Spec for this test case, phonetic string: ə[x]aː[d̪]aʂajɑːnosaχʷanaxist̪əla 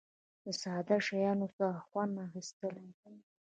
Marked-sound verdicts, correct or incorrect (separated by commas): incorrect, correct